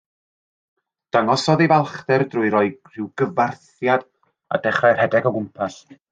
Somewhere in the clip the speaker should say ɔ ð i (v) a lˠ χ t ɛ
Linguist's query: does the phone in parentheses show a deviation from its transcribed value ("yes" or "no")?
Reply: no